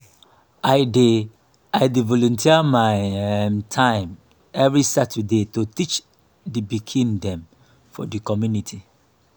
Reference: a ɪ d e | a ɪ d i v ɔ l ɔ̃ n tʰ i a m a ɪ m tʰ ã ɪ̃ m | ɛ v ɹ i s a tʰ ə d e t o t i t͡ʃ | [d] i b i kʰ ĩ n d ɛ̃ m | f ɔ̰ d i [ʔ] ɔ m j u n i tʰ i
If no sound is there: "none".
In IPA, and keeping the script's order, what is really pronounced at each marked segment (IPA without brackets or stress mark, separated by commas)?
d, k